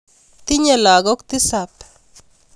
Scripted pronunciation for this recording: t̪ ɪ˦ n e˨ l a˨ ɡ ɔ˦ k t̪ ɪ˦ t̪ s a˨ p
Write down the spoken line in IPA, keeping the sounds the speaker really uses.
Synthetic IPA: t̪ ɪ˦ ɲ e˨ l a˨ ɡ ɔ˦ k t̪ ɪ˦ s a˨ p